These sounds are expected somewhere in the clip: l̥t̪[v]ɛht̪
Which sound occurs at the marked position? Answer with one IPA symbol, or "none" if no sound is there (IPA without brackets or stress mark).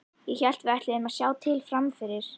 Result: v